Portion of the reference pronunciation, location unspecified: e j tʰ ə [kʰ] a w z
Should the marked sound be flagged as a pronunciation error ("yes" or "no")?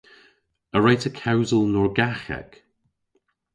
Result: no